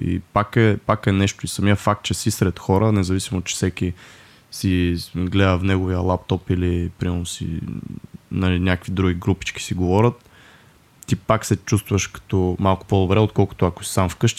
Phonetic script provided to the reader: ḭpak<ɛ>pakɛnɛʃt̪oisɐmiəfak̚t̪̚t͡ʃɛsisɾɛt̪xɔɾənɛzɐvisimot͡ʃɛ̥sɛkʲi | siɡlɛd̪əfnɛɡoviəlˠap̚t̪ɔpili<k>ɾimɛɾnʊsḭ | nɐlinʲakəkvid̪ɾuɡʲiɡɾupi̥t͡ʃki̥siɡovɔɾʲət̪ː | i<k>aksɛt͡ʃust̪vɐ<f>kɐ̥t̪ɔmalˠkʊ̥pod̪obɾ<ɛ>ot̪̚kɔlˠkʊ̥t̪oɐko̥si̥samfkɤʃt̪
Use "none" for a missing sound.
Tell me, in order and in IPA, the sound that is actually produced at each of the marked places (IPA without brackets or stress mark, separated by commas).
ɛ, p, p, ʃ, ɛ